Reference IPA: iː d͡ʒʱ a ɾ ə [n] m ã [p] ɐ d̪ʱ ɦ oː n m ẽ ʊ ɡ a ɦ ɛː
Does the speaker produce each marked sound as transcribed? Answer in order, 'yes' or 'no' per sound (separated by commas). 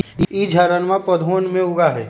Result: yes, yes